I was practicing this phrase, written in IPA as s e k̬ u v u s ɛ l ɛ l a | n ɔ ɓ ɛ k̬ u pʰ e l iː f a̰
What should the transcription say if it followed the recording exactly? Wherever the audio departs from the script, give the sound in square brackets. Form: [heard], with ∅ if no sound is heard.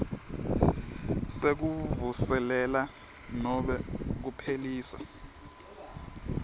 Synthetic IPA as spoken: s e k̬ u v u s ɛ l ɛ l a | n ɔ ɓ ɛ k̬ u pʰ e l iː [s] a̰